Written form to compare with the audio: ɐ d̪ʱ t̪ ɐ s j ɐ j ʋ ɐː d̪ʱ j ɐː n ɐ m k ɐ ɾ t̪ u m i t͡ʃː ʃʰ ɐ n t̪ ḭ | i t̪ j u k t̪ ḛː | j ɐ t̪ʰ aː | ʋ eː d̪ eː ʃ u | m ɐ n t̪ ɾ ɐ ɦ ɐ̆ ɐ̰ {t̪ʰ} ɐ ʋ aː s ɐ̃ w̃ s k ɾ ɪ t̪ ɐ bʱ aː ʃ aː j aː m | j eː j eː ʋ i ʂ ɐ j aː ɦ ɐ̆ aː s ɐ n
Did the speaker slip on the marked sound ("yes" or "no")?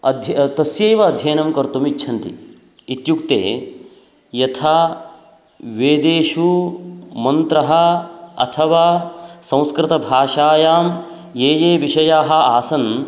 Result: no